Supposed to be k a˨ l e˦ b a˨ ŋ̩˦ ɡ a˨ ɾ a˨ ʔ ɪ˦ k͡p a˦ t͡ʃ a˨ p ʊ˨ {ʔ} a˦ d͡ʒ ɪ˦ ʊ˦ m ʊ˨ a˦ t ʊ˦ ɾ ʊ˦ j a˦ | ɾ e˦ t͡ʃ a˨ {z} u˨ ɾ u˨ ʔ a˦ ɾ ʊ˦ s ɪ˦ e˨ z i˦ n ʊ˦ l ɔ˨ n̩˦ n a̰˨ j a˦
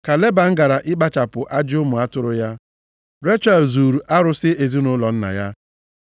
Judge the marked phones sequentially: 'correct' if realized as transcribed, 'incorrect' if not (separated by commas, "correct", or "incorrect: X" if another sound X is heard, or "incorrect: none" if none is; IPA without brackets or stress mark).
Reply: correct, correct